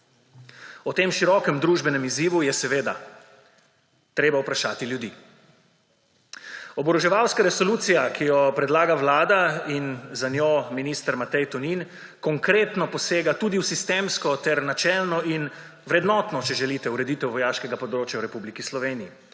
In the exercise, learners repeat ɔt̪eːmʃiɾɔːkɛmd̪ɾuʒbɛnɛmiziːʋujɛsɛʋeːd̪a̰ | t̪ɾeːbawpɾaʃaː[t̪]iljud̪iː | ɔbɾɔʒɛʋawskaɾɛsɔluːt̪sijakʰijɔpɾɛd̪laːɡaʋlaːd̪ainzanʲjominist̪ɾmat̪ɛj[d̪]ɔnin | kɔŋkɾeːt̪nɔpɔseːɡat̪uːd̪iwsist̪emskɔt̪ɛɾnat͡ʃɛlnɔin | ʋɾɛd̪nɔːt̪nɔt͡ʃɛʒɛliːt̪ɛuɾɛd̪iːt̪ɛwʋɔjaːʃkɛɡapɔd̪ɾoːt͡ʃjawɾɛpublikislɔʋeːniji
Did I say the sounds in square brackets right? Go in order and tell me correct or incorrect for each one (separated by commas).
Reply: correct, incorrect